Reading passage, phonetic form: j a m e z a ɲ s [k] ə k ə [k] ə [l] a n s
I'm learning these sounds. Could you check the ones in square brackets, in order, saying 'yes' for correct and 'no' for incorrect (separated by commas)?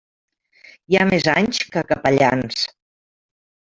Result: yes, no, no